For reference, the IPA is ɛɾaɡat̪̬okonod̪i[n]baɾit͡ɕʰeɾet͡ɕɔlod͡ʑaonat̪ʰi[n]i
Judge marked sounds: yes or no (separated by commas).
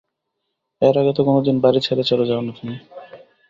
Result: yes, yes